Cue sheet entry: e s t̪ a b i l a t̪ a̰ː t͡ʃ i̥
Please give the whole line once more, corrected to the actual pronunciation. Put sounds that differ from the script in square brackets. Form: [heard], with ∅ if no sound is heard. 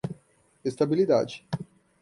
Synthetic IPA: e s t̪ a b i l [i] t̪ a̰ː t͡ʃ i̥